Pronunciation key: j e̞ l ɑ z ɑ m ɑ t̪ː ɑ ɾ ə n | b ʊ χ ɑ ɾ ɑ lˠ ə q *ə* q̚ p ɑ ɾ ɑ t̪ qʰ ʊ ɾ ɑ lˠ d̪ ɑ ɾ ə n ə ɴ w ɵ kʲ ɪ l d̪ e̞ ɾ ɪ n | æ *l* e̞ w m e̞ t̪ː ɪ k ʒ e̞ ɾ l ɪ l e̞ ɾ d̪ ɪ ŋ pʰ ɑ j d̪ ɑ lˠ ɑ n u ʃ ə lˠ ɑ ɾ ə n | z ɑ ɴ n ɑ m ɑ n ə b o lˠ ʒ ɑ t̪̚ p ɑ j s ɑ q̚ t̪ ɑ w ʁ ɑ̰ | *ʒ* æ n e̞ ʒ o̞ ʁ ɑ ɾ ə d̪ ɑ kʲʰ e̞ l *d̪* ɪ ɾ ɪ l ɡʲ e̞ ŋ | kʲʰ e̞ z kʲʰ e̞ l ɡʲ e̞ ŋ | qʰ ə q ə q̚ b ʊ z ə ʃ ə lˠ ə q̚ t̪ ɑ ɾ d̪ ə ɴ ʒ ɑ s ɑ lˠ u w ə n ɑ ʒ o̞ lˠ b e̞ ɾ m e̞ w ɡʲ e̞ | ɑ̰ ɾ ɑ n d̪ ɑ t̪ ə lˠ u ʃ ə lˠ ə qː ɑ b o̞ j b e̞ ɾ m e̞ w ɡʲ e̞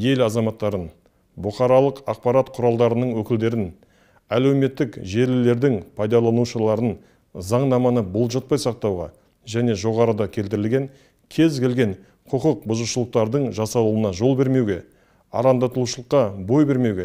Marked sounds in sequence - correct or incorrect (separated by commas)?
incorrect, correct, correct, incorrect